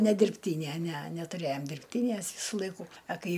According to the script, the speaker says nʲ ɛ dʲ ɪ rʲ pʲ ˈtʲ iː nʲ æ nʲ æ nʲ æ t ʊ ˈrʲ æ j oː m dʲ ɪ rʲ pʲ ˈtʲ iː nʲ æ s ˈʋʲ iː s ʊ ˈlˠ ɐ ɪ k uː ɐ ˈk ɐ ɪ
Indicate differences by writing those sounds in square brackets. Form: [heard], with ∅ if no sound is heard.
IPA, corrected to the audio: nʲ ɛ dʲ ɪ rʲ pʲ ˈtʲ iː nʲ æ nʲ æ nʲ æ t ʊ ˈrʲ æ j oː m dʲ ɪ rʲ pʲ ˈtʲ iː nʲ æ s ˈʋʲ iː s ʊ ˈlˠ ɐ ɪ k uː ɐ ˈk ɐ ɪ